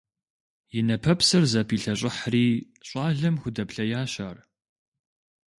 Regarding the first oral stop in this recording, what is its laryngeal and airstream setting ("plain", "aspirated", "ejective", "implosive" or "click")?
aspirated